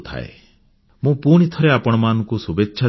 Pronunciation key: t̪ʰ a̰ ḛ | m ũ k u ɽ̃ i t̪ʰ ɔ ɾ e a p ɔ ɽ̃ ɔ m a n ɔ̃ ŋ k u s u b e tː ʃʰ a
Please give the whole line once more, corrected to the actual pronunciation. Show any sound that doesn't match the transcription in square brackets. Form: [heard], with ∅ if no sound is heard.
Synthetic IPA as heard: t̪ʰ a̰ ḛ | m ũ [p] u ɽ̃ i t̪ʰ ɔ ɾ e a p ɔ ɽ̃ ɔ m a n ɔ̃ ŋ k u s u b e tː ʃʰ a

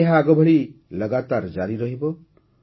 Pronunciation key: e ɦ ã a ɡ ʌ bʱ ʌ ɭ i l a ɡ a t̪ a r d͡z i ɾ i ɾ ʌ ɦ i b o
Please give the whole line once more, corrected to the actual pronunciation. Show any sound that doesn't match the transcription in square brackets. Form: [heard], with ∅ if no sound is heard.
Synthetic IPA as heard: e ɦ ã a ɡ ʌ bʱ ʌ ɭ i l [ʌ] ɡ a t̪ a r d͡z [a] ɾ i ɾ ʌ ɦ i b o

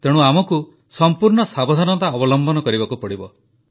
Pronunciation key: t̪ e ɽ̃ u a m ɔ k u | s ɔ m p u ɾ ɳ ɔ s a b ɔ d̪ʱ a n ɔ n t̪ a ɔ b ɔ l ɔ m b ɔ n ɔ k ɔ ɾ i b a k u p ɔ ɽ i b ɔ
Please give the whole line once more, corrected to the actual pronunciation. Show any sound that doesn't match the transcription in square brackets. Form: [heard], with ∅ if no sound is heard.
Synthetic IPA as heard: t̪ e ɽ̃ u a m ɔ k u | s ɔ m p u ɾ ɳ ɔ s a b ɔ d̪ʱ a n ɔ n t̪ a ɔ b ɔ l ɔ m b ɔ n ɔ k ɔ ɾ i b a k u p ɔ ɽ i b ɔ

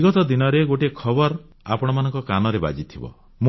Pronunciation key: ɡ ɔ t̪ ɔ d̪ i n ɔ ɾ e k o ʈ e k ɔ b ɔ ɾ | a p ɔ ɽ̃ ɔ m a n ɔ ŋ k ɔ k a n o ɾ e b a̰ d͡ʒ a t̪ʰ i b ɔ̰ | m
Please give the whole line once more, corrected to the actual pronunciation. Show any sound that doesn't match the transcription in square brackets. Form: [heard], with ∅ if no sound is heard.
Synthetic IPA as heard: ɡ ɔ t̪ ɔ d̪ i n ɔ ɾ e [ɡ] o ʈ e [kʰ] ɔ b ɔ ɾ | a p ɔ ɽ̃ ɔ m a n ɔ ŋ k ɔ k a n [ɔ] ɾ e b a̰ d͡ʒ [i] t̪ʰ i b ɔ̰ | m

